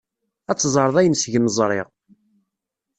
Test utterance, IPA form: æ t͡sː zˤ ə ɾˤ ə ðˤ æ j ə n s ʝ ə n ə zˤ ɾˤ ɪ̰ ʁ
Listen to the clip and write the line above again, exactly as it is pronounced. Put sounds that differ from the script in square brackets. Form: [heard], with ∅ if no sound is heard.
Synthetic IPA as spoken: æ t͡sː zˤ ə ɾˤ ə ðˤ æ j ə n s ʝ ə [m] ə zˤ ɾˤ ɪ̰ ʁ